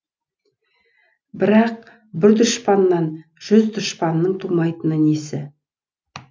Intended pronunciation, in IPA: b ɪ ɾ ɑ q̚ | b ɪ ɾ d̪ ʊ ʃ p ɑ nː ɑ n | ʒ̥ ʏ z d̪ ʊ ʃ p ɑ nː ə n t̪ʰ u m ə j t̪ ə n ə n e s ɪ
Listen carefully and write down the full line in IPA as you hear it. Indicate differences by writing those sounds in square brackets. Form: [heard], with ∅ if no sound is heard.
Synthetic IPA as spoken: b ɪ ɾ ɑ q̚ | b ɪ ɾ d̪ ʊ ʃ p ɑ nː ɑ n | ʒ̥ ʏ z d̪ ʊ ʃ p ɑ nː ə [ɴ] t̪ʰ u m [ɑ] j t̪ ə n ə n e s ɪ